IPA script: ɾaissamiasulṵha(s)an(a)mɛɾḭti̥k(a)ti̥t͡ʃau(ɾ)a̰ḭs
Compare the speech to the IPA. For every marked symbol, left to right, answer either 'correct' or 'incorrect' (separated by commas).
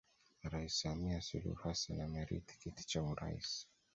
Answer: correct, correct, incorrect, correct